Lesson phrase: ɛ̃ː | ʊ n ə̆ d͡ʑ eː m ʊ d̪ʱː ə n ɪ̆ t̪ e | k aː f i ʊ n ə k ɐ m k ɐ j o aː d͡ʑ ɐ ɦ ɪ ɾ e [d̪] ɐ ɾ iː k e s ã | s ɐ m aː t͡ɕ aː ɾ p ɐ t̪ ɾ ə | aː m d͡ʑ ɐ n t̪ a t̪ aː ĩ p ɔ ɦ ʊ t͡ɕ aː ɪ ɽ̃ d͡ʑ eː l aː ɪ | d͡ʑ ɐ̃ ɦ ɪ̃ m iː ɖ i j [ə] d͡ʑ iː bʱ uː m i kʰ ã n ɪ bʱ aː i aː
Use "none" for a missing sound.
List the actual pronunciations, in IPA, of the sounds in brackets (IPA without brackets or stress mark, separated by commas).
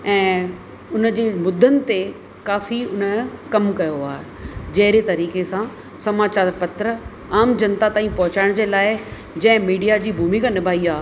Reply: t̪, a